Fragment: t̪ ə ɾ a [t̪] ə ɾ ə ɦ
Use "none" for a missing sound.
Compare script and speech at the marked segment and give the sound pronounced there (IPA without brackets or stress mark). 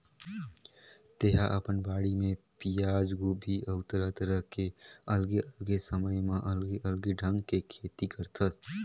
t̪